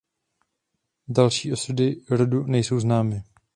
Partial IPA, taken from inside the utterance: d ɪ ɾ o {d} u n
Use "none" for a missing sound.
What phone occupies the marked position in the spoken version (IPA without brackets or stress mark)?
d